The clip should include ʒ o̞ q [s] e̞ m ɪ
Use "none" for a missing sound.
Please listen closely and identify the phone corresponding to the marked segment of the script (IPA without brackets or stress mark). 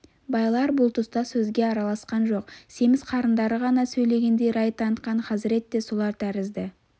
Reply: s